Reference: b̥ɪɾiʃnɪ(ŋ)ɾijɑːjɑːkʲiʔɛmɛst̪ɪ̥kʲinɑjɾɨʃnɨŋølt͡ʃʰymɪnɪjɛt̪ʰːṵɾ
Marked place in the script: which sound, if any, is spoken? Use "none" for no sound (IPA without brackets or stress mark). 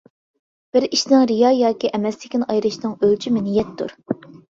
ŋ